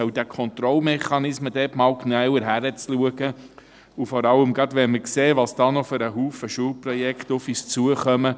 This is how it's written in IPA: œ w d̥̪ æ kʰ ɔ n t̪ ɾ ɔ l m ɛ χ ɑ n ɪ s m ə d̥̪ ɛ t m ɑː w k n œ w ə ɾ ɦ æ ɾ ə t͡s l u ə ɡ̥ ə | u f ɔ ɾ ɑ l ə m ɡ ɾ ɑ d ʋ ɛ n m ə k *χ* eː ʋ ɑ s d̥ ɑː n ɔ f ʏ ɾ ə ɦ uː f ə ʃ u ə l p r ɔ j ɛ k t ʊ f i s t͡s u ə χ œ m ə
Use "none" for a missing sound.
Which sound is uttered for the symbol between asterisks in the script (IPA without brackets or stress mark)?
s